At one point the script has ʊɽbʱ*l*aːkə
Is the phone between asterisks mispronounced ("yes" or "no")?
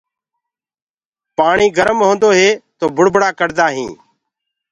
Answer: yes